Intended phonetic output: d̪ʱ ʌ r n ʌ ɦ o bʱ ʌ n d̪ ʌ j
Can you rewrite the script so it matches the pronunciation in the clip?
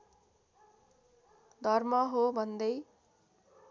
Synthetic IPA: d̪ʱ ʌ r m ʌ ɦ o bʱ ʌ n d̪ ʌ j